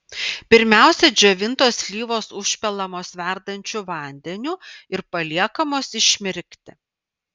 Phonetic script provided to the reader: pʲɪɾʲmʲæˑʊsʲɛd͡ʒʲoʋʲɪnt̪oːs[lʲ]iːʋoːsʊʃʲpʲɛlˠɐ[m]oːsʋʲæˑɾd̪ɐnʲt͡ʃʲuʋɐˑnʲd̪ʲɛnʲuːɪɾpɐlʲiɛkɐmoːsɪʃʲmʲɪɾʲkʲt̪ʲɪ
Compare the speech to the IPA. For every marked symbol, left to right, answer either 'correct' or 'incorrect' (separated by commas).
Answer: correct, correct